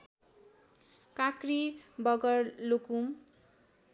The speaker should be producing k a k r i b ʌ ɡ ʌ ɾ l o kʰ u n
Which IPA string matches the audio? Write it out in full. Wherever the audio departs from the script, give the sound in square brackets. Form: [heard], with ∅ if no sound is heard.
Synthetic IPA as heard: k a k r i b ʌ ɡ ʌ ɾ l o [k] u [m]